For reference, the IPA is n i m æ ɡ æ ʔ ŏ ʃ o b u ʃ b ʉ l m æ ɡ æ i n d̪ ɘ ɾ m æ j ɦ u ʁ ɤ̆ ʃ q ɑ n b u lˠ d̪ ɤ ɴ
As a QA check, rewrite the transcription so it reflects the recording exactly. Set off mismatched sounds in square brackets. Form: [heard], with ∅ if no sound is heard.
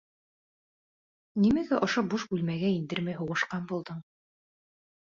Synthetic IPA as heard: n i m æ ɡ æ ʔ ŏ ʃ o b u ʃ b ʉ l m æ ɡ æ i n d̪ ɘ ɾ m æ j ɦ u ʁ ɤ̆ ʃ q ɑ n b u lˠ d̪ ɤ ɴ